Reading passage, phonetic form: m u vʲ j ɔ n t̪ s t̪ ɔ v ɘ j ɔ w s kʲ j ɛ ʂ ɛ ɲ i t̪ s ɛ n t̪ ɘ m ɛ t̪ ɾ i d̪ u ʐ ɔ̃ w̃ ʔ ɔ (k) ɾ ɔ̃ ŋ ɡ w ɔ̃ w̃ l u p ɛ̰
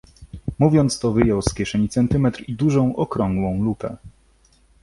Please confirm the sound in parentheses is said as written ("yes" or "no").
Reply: yes